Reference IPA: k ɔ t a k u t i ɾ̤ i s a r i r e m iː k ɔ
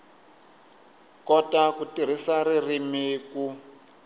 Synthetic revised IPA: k ɔ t a k u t i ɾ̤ i s a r i r i m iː k u